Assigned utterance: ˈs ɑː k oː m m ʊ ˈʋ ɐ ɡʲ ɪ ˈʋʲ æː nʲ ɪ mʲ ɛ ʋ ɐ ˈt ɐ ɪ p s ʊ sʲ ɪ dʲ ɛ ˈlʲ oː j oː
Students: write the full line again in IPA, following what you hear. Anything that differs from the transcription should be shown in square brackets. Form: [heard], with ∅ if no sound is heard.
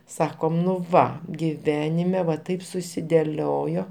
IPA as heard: ˈs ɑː k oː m [n] ʊ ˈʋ ɐ ɡʲ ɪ ˈʋʲ æː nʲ ɪ mʲ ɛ ʋ ɐ ˈt ɐ ɪ p s ʊ sʲ ɪ dʲ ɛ ˈlʲ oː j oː